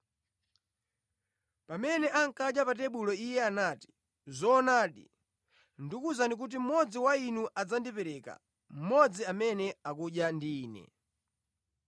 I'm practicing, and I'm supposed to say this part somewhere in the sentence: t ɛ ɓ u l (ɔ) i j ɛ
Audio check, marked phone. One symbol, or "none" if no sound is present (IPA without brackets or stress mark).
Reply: ɔ